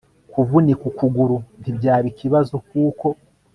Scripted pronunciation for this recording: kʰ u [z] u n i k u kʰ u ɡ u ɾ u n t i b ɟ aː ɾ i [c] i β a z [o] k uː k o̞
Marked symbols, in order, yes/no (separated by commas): no, no, yes